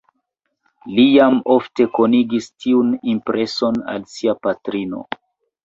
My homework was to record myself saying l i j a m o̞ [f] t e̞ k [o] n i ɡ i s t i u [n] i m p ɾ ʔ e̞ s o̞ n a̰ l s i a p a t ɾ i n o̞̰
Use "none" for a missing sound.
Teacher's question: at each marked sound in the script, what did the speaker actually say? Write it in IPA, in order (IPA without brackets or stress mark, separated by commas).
f, o, n